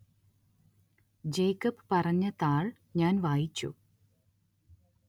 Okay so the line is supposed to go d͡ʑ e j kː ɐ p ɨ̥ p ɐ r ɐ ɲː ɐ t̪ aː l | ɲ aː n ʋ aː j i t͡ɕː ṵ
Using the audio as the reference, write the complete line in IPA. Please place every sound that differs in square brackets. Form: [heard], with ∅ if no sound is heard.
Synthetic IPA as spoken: d͡ʑ e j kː ɐ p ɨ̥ p ɐ r ɐ ɲː ɐ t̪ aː [ɭ] | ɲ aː n ʋ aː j i t͡ɕː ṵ